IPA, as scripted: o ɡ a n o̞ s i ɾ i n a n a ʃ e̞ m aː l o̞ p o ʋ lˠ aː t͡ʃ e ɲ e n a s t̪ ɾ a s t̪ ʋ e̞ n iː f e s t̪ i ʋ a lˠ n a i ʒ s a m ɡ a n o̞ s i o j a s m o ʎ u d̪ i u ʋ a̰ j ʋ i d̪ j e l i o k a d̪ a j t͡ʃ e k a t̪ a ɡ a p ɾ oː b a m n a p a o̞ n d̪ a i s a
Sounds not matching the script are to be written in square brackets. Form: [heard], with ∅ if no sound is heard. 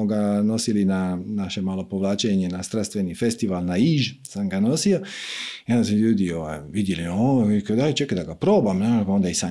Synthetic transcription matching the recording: o ɡ a n o̞ s i [l] i n a n a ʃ e̞ m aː l o̞ p o ʋ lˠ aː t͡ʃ e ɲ e n a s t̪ ɾ a s t̪ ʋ e̞ n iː f e s t̪ i ʋ a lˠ n a i ʒ s a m ɡ a n o̞ s i o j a s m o ʎ [uː] d̪ i [o] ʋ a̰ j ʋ i d̪ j e l i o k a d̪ a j t͡ʃ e k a [d̪] a ɡ a p ɾ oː b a m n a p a o̞ n d̪ a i s a